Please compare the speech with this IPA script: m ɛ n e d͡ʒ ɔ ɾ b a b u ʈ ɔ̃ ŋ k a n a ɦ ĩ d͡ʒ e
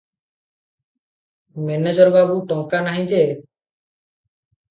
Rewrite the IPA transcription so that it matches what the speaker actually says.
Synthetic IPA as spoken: m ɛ n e d͡ʒ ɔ ɾ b a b u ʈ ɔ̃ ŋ k a n a ɦ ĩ d͡ʒ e